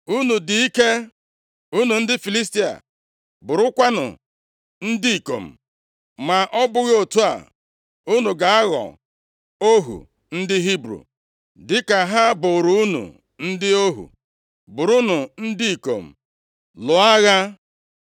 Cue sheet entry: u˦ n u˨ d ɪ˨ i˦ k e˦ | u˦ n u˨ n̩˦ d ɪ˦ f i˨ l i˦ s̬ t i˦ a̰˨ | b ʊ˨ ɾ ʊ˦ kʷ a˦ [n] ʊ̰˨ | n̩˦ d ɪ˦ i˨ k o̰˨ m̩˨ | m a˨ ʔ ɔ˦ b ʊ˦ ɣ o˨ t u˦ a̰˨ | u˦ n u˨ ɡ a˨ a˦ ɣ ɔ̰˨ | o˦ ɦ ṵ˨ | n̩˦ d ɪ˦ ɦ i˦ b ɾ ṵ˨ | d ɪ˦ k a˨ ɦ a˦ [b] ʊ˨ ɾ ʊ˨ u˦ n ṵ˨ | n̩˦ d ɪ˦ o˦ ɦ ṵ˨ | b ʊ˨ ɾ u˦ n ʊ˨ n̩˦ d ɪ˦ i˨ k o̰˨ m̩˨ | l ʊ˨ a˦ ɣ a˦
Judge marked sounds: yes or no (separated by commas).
yes, yes